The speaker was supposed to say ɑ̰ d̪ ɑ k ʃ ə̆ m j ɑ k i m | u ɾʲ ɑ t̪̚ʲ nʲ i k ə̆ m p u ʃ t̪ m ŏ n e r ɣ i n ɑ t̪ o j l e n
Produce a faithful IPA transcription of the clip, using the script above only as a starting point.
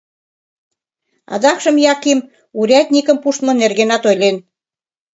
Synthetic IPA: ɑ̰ d̪ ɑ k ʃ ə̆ m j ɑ k i m | u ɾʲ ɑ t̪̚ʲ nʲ i k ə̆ m p u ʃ t̪ m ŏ n e r ɣ e n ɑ t̪ o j l e n